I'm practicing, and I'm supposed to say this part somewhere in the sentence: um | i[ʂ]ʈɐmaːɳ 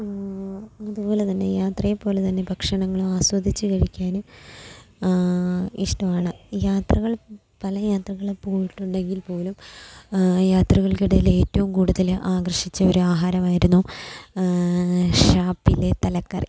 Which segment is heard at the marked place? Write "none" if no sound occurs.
ʂ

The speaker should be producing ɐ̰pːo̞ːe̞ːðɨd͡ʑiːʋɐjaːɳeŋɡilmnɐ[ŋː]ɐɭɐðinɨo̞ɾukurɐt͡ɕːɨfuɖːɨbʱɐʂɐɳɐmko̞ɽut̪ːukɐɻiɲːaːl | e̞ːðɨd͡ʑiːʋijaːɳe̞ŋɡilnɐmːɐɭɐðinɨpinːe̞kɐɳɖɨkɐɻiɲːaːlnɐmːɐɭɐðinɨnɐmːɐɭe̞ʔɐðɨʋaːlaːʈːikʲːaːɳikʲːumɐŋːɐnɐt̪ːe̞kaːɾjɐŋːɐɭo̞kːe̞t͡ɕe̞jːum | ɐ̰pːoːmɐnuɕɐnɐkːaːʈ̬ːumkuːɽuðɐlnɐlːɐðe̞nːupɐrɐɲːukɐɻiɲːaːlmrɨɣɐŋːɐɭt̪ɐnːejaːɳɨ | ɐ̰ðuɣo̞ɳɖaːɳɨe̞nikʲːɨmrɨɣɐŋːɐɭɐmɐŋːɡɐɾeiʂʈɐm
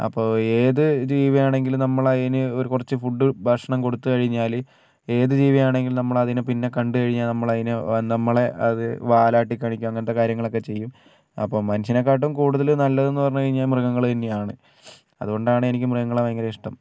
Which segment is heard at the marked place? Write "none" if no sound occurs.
mː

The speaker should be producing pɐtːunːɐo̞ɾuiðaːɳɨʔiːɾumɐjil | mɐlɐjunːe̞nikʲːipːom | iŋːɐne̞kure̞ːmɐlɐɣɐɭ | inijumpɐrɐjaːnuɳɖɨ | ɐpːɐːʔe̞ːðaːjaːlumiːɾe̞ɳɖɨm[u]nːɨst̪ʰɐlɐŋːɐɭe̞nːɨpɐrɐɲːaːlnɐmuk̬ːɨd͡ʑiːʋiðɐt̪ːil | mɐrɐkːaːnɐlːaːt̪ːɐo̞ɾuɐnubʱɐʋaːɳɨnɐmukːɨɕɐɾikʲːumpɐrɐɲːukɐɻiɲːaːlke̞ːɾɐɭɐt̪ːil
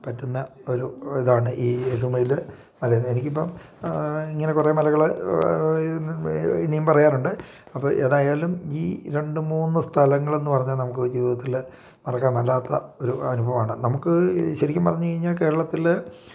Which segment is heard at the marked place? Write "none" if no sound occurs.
uː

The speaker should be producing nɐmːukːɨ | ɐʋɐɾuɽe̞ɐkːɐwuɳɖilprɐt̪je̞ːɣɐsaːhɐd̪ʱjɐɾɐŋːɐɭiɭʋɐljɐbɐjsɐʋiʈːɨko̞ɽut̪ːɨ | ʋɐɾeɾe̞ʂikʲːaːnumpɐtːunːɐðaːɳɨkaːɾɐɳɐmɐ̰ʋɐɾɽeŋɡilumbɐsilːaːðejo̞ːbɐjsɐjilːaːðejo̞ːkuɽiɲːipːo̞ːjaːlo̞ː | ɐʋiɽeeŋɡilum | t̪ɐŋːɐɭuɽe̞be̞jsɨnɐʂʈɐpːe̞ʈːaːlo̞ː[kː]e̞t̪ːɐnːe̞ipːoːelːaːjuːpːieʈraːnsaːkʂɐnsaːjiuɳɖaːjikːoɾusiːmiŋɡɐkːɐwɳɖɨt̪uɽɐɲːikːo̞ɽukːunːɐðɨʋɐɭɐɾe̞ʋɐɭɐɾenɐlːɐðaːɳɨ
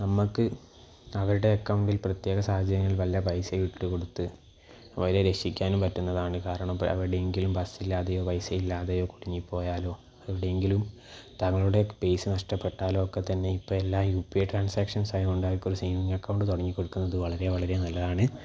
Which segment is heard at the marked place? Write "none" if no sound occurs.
kː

